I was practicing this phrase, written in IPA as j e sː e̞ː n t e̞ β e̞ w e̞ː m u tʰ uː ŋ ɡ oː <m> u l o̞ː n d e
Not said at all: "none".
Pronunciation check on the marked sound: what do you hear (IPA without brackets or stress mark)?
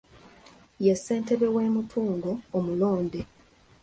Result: m